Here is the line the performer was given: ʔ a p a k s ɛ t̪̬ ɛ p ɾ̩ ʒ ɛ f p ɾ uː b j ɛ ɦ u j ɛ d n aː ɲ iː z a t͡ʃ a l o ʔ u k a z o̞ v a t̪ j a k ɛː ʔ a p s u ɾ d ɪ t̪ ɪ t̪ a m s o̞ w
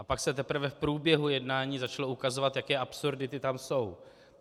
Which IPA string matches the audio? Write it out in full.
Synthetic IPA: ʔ a p a k s ɛ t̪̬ ɛ p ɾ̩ v ɛ f p ɾ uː b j ɛ ɦ u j ɛ d n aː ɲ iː z a t͡ʃ a l o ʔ u k a z o̞ v a t̪ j a k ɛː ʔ a p s u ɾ d ɪ t̪ ɪ t̪ a m s o̞ w